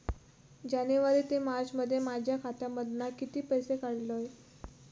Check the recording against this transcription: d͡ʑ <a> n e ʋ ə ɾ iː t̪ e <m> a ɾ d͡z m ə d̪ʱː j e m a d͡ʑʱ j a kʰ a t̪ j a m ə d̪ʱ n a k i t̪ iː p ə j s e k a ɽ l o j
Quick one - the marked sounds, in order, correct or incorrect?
correct, correct

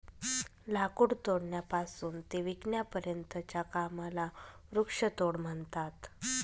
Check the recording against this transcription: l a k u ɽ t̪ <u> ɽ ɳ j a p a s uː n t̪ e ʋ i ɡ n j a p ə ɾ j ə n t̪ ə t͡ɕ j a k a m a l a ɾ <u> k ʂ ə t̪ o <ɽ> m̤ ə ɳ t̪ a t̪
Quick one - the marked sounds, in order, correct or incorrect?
incorrect: o, correct, correct

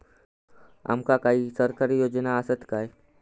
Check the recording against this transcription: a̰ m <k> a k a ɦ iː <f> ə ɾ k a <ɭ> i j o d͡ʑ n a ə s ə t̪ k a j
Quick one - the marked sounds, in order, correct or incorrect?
correct, incorrect: s, incorrect: ɾ

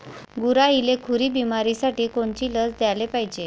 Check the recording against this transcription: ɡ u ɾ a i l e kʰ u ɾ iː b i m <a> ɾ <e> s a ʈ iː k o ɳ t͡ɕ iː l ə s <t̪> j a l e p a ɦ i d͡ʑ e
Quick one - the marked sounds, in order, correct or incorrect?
correct, incorrect: i, incorrect: d̪

